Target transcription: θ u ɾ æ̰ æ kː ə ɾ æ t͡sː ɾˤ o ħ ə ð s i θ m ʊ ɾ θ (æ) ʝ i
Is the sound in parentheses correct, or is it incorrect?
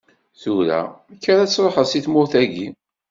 correct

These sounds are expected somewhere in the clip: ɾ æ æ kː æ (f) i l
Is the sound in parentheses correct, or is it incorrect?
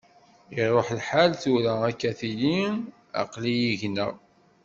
incorrect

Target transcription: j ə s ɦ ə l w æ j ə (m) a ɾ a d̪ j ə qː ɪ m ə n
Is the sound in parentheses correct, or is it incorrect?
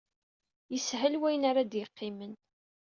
incorrect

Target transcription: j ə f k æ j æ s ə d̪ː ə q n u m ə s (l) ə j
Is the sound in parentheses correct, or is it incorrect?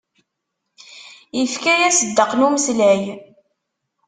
correct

